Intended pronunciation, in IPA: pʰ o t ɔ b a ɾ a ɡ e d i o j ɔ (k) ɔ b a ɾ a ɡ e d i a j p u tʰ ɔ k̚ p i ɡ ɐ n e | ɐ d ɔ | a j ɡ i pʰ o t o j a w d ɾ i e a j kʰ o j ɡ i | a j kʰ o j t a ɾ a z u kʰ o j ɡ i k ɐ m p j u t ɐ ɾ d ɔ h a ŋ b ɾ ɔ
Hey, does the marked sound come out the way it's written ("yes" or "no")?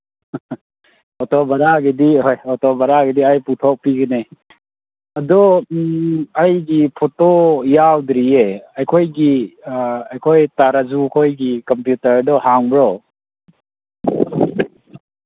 no